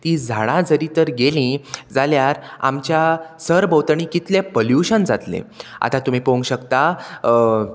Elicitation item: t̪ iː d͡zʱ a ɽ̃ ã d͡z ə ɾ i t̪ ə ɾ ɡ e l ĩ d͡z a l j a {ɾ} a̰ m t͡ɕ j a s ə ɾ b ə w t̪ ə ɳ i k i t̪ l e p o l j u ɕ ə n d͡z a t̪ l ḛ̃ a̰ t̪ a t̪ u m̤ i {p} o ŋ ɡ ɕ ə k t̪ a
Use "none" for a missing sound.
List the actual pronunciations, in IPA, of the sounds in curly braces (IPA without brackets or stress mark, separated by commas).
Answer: ɾ, p